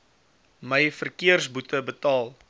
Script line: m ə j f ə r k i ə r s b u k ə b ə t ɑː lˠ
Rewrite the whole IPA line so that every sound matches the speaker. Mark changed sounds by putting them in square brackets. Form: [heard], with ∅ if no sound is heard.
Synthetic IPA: m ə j f ə r k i ə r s b u [t] ə b ə t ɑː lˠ